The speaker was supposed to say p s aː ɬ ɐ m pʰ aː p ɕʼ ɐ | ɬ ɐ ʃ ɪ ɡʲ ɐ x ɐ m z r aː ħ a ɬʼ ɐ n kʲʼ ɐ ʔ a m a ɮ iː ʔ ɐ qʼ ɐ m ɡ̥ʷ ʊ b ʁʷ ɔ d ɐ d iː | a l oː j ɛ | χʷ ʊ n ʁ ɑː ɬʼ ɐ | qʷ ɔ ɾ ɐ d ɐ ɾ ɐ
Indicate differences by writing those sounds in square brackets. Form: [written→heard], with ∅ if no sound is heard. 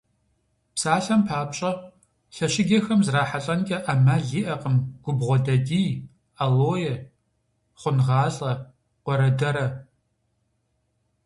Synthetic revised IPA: p s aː ɬ ɐ m pʰ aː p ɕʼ ɐ | ɬ ɐ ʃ ɪ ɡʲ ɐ x ɐ m z r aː ħ a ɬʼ ɐ n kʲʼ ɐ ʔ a m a ɮ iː ʔ ɐ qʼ [ɐ→ə] m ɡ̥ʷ ʊ b ʁʷ ɔ d ɐ d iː | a l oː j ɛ | χʷ ʊ n ʁ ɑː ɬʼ ɐ | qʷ ɔ ɾ ɐ d ɐ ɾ ɐ